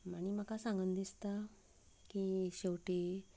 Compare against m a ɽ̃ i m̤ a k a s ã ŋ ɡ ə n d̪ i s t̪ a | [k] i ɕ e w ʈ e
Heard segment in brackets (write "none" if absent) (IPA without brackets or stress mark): k